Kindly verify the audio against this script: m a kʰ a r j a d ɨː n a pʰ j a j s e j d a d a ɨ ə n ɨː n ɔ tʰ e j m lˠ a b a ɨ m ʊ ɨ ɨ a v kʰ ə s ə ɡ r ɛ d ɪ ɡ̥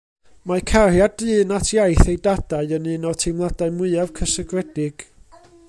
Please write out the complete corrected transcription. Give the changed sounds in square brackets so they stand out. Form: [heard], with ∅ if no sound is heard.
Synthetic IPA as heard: m a kʰ a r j a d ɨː n a [tʰ] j a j [θ] e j d a d a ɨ ə n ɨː n ɔ tʰ e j m lˠ a [d] a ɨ m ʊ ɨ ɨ a v kʰ ə s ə ɡ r ɛ d ɪ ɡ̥